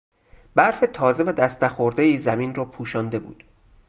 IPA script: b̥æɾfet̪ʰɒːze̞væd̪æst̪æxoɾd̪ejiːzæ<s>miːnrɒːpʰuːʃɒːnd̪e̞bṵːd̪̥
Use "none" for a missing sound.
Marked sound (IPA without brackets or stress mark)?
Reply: none